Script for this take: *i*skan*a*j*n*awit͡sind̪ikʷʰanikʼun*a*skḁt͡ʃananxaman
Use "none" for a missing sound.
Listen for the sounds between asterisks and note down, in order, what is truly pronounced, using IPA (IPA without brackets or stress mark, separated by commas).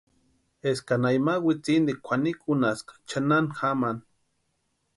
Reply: e, a, m, a